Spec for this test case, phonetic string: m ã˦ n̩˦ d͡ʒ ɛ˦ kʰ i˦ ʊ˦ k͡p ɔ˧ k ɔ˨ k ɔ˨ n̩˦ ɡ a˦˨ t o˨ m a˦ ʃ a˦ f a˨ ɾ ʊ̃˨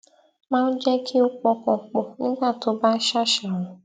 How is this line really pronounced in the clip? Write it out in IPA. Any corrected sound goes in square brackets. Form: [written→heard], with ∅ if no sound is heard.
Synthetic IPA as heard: m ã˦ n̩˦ d͡ʒ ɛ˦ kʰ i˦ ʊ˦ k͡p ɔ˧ k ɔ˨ [k→k͡p] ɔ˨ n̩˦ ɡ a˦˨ t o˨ [m→b] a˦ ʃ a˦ [f→ʃ] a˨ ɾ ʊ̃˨